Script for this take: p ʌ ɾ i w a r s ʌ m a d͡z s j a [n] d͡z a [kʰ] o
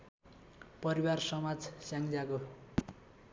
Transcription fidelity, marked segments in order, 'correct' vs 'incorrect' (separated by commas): incorrect, incorrect